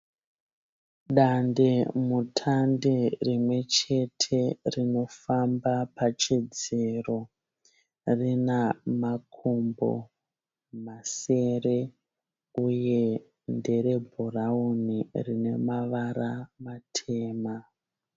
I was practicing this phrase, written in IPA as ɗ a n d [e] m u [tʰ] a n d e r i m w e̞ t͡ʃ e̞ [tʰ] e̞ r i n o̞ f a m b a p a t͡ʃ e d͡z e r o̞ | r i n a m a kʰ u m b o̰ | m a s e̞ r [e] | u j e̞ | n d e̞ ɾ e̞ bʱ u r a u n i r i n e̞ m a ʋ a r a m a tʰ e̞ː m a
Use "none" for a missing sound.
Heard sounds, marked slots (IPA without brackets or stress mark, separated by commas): e, tʰ, tʰ, e